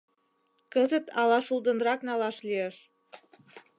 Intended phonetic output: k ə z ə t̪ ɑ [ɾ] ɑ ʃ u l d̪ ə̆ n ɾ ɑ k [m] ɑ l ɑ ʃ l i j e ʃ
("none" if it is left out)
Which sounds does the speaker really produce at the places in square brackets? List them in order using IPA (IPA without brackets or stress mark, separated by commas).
l, n